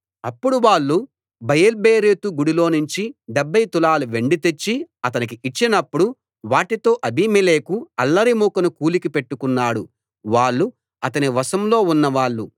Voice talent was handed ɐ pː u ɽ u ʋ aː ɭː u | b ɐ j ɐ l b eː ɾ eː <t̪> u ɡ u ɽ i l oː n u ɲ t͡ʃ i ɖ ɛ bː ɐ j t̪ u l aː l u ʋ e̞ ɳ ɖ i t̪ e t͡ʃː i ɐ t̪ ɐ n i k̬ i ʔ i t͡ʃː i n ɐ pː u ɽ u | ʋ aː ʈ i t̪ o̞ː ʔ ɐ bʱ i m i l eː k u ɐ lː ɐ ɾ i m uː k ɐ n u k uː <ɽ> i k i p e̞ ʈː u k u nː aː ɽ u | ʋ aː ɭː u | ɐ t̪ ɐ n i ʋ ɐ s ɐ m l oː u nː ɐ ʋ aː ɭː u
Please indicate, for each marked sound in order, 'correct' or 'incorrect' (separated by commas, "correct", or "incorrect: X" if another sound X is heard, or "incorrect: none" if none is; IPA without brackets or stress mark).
correct, incorrect: l